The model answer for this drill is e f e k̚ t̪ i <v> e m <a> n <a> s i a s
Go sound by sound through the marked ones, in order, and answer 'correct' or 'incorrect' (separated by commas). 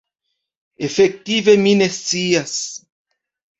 correct, incorrect, incorrect